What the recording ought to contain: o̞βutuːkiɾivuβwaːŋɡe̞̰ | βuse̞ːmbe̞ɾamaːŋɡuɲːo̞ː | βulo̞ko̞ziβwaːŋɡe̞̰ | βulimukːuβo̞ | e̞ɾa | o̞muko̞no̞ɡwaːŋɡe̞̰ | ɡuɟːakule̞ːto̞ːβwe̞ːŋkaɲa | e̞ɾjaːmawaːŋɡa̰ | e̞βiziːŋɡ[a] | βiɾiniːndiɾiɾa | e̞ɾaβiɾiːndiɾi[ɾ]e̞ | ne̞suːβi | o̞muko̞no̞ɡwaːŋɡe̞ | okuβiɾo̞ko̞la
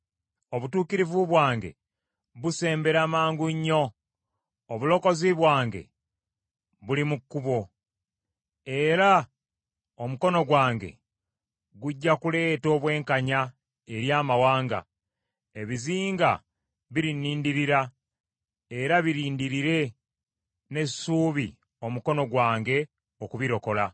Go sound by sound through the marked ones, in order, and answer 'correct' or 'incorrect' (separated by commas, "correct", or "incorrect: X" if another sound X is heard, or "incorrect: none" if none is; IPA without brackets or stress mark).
correct, correct